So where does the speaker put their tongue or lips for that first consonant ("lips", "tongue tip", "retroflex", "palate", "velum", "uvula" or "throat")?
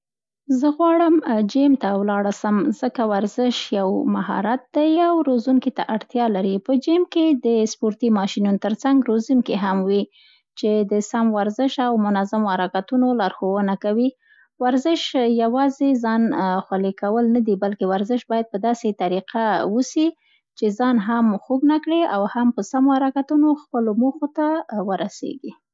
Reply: tongue tip